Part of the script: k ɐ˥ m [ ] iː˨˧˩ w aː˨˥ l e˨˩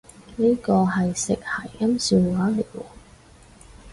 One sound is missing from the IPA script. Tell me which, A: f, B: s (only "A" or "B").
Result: B